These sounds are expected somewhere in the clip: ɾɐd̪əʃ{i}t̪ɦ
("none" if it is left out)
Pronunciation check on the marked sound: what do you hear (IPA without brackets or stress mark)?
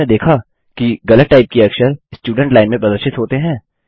ɪ